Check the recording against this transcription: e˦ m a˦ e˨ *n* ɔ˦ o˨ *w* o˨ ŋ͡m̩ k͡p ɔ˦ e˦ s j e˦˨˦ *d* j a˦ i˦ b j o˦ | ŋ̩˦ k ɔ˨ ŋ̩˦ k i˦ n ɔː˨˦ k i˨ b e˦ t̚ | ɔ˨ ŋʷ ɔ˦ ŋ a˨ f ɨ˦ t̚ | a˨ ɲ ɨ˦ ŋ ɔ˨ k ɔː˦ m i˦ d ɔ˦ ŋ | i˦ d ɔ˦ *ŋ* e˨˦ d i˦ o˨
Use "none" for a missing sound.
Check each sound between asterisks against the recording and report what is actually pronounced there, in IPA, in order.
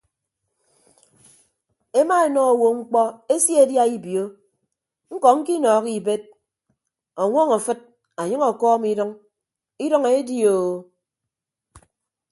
n, w, d, ŋ

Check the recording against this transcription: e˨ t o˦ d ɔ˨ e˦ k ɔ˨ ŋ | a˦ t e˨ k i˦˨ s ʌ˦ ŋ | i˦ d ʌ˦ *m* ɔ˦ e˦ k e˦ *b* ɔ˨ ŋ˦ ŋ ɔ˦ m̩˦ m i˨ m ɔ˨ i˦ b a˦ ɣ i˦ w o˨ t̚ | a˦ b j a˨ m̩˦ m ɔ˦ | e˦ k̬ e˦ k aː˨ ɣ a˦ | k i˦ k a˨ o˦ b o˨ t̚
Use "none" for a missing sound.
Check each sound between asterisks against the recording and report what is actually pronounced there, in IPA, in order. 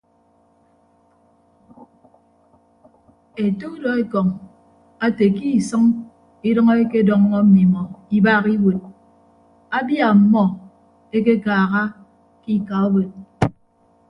ŋ, d

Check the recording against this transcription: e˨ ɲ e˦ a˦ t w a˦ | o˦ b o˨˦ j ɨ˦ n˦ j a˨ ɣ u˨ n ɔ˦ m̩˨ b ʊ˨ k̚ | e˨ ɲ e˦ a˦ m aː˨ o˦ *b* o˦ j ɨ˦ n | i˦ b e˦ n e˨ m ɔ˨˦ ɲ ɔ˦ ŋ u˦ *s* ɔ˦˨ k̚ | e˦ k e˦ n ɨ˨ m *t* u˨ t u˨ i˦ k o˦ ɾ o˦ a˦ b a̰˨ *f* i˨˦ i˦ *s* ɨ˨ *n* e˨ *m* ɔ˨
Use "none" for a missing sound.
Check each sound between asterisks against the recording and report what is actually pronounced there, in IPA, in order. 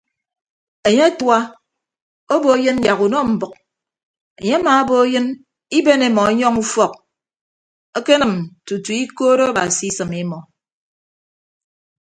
b, f, t, s, s, m, m

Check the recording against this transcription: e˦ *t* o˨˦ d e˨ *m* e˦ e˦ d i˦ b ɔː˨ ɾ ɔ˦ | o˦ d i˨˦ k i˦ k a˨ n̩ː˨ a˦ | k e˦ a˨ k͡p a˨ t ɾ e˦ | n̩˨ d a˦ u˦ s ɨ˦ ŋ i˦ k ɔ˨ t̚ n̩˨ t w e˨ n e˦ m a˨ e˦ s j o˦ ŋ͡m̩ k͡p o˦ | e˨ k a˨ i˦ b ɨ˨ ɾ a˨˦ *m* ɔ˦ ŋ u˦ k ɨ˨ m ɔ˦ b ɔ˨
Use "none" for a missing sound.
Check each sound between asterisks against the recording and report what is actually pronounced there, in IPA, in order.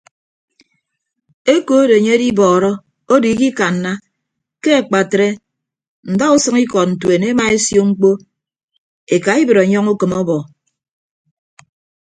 k, ɲ, ɲ

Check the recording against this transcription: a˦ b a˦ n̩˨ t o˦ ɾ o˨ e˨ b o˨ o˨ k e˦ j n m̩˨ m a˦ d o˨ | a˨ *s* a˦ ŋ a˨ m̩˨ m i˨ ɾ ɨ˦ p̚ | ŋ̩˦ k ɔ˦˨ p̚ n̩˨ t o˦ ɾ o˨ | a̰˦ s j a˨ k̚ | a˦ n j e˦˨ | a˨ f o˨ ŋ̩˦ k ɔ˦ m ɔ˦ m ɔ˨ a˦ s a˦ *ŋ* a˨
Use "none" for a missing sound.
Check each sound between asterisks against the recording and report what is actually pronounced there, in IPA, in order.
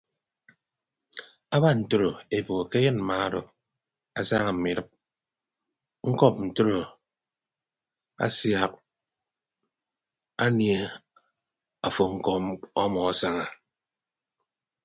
s, ŋ

